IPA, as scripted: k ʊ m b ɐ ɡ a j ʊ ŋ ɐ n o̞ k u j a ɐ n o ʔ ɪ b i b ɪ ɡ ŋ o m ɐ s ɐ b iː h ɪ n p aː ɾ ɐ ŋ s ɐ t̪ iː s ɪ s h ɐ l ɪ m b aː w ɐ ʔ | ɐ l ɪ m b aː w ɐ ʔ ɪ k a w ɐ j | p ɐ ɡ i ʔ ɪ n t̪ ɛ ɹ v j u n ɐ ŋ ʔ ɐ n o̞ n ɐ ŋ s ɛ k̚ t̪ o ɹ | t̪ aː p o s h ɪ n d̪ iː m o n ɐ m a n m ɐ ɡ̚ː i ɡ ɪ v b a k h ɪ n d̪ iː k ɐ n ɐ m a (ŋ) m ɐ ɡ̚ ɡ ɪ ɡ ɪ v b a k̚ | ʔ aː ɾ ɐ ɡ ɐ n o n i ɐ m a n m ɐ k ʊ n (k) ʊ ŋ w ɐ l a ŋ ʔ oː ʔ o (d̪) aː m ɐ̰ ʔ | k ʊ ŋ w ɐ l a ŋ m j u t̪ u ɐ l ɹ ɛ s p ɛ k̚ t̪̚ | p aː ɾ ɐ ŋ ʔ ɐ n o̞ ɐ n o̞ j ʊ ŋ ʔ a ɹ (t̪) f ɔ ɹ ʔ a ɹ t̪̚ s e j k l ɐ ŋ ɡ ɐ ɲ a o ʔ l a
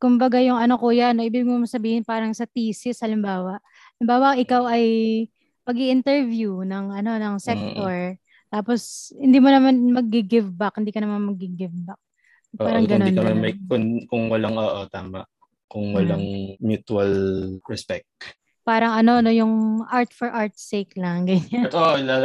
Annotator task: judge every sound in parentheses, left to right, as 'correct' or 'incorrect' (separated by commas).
incorrect, correct, incorrect, correct